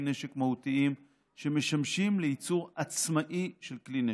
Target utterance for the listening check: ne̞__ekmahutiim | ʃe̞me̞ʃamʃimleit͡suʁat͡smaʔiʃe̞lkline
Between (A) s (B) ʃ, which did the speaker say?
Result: B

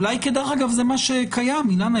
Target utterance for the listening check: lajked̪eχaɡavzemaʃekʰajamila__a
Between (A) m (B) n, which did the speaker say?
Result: B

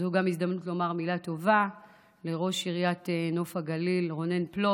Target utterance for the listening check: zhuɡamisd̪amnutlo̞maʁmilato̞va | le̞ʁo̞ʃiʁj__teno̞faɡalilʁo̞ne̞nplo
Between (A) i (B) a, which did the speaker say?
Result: B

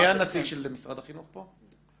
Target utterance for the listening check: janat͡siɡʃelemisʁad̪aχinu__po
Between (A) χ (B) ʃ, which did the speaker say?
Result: A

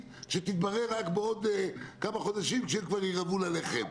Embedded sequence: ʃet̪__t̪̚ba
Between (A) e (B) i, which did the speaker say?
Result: B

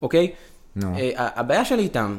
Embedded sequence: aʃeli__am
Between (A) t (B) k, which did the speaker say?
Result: A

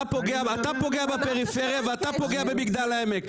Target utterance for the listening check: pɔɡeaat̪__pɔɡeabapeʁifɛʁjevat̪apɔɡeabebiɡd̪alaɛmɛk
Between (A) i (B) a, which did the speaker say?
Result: B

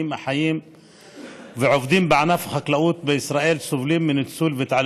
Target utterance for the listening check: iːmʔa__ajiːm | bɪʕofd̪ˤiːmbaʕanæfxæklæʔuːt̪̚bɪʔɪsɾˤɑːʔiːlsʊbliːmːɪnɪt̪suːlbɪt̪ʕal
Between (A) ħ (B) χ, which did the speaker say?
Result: A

